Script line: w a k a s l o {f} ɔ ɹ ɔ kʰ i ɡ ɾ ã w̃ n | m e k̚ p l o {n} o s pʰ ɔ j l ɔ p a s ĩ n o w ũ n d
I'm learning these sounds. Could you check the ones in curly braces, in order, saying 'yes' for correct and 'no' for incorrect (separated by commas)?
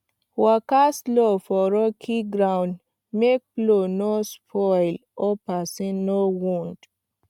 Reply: yes, yes